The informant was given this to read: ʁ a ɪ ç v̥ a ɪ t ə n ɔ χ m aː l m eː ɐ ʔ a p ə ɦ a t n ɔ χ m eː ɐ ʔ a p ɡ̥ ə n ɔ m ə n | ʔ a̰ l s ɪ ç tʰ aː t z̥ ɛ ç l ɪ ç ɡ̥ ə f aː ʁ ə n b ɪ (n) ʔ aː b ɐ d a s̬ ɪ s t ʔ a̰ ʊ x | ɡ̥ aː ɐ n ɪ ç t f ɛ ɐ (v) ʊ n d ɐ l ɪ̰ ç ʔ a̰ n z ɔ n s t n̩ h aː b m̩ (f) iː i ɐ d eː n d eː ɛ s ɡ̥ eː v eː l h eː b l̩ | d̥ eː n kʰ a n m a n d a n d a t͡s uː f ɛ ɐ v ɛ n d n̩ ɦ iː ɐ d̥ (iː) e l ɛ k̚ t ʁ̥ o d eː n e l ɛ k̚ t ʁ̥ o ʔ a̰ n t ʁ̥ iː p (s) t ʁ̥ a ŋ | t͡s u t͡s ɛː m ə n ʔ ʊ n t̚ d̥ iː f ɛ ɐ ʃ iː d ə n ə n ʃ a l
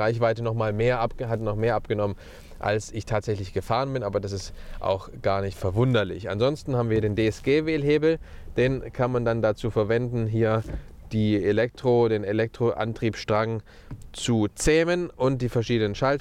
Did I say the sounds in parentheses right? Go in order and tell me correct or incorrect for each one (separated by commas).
correct, correct, incorrect, correct, incorrect